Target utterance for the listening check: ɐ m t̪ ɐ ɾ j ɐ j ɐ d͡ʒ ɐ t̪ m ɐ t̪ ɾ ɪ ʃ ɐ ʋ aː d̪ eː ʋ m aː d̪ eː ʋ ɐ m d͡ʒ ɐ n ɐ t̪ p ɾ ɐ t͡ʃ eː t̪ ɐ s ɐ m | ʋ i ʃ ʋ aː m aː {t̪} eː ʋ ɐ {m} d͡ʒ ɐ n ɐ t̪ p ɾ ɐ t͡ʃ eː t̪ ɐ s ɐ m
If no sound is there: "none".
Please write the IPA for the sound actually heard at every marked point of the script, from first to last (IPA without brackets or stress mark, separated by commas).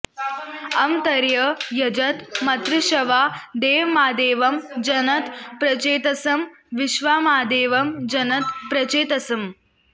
d̪, m